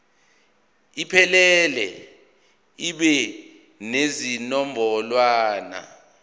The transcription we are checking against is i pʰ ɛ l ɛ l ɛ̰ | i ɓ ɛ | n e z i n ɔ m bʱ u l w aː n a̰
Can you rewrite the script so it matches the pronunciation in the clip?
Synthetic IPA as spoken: i pʰ ɛ l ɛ l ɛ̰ | i ɓ ɛ | n e z i n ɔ m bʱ ɔ l w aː n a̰